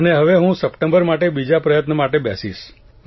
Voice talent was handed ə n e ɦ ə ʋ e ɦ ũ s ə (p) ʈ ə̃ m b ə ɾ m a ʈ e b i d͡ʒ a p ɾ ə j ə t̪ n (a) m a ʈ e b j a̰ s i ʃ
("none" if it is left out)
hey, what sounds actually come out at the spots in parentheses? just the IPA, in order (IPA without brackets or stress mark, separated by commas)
p, ə